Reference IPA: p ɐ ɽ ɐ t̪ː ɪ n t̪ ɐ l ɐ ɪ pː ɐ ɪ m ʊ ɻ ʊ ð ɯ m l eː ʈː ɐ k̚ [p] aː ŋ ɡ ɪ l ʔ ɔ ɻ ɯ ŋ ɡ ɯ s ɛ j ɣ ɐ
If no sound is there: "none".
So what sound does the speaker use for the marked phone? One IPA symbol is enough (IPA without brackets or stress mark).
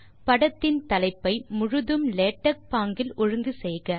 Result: p